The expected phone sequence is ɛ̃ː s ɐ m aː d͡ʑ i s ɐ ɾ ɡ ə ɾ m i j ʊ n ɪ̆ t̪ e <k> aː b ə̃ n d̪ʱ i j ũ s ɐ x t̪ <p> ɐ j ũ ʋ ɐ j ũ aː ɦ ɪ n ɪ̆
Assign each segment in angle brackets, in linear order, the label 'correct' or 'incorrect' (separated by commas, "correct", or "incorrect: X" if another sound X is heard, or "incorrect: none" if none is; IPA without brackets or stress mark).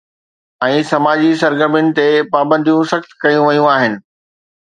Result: incorrect: p, incorrect: k